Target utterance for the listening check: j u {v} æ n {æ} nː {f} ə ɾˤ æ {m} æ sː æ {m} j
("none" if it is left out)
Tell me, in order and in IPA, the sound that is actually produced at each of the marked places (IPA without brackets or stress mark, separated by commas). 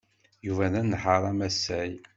v, æ, ħ, m, none